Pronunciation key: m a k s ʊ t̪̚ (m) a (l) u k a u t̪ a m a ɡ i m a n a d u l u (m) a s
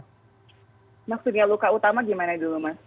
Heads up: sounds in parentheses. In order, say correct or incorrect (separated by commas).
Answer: incorrect, correct, correct